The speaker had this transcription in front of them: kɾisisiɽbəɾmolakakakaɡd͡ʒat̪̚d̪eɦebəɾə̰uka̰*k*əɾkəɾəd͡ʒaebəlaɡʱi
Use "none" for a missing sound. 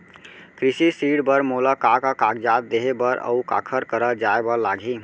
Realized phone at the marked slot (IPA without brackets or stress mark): kʰ